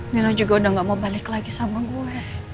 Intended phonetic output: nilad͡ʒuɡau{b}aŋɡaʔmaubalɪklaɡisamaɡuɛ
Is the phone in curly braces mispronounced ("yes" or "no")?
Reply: yes